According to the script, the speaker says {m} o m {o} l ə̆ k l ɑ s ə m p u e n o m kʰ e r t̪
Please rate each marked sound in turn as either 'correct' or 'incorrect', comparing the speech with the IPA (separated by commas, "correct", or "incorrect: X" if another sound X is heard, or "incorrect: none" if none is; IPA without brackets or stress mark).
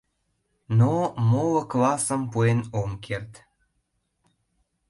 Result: incorrect: n, correct